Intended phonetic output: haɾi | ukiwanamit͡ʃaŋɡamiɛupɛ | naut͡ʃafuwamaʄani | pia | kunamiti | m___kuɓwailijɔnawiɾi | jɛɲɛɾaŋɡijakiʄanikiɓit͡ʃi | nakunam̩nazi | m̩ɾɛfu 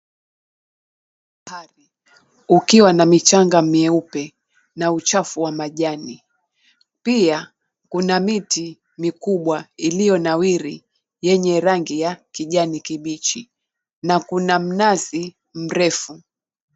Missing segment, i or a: i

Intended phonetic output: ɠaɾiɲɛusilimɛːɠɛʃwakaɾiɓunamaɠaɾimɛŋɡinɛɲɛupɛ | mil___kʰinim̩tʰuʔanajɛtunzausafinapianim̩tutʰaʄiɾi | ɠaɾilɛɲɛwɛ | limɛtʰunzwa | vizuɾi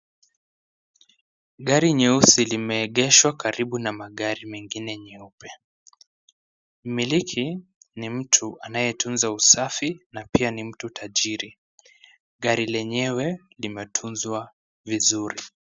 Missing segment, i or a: i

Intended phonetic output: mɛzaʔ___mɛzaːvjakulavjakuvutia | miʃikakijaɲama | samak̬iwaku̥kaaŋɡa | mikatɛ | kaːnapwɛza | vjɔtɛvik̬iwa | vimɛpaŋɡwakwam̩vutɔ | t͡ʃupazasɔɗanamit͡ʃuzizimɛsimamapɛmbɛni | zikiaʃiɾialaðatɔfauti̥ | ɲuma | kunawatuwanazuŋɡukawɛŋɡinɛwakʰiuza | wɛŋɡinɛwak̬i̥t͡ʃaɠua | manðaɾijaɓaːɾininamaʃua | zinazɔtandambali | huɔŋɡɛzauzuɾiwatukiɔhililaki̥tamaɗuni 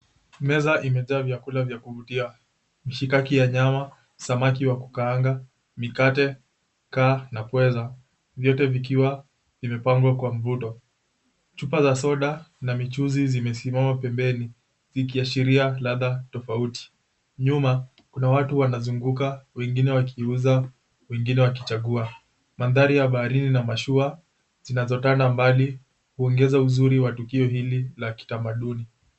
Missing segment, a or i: i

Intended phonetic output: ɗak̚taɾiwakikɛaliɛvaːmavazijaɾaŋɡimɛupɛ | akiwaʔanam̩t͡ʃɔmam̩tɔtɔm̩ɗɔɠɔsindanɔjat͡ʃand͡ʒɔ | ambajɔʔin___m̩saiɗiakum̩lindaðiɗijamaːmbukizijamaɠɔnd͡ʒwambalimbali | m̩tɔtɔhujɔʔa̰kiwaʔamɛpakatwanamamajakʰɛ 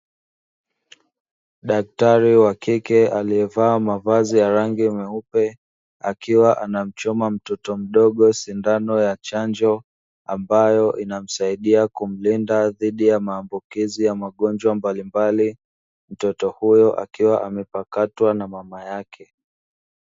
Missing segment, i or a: a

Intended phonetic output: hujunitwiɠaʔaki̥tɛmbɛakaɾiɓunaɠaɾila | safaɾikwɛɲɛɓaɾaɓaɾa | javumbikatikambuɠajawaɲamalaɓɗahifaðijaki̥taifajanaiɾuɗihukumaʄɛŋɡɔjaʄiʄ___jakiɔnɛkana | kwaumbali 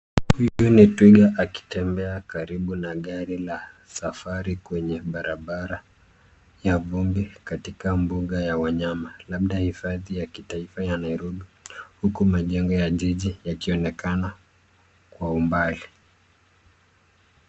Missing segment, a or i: i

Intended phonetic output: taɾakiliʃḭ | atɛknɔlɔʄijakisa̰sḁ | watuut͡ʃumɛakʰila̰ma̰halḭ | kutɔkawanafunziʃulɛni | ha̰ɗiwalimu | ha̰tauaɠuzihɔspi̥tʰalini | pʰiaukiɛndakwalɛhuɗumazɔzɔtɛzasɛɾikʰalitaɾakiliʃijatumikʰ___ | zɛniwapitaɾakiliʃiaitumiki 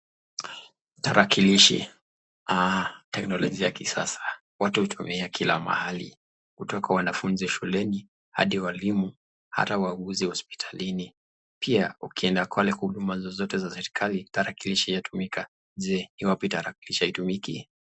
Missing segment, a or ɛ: a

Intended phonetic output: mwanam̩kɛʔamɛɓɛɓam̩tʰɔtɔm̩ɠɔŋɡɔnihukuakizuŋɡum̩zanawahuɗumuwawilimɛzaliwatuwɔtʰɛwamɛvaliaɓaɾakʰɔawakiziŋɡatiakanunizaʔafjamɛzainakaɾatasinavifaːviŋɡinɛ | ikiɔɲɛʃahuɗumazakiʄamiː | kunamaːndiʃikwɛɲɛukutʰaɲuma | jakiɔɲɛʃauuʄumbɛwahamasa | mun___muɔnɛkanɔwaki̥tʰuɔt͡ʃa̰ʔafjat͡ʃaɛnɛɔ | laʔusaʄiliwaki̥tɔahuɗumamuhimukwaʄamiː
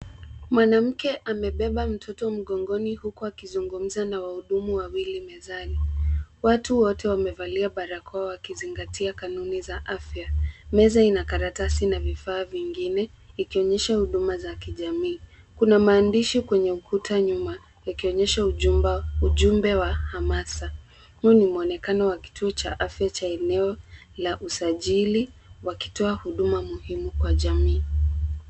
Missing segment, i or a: i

